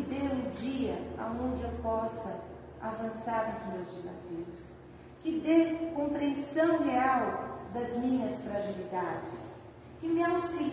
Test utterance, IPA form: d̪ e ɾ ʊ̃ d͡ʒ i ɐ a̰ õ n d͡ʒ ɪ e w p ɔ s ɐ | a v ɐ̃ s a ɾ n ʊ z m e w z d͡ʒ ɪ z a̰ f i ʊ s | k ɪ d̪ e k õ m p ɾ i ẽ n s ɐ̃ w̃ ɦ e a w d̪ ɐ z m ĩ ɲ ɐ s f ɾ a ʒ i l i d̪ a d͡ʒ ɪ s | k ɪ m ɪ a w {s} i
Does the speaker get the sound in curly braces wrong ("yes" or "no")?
no